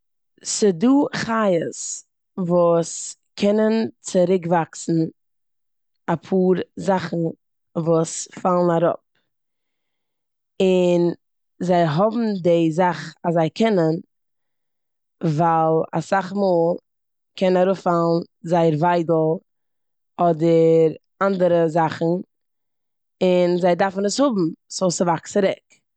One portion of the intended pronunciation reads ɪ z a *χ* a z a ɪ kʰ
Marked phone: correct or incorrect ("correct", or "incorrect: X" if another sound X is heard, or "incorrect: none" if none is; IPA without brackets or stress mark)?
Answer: correct